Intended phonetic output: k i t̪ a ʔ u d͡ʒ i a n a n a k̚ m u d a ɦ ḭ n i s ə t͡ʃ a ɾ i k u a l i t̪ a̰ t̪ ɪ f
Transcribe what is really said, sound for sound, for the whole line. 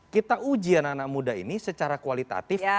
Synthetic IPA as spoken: k i t̪ a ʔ u d͡ʒ i a n a n a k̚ m u d a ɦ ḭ n i s ə t͡ʃ a ɾ a k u a l i t̪ a̰ t̪ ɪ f